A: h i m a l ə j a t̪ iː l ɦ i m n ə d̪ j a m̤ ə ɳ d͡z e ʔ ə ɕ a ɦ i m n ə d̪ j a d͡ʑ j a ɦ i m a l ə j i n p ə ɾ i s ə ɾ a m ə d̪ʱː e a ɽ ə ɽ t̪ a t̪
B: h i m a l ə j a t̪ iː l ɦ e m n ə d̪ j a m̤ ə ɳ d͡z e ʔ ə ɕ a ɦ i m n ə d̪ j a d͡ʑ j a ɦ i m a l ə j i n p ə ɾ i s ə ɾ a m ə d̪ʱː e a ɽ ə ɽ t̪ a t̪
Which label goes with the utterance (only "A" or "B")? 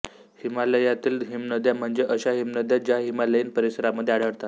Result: A